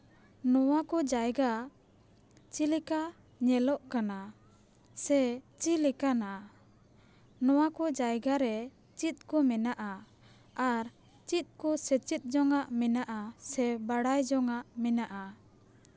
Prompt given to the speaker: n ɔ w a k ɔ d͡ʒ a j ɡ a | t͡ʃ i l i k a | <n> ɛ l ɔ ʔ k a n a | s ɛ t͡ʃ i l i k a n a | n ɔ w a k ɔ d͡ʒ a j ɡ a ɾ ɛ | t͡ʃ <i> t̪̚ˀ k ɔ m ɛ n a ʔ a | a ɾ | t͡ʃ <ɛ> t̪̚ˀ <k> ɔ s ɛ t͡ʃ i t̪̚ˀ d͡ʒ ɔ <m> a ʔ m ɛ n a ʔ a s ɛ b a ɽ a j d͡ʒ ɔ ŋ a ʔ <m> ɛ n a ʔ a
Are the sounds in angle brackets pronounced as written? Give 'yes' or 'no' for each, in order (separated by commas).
no, yes, no, yes, no, yes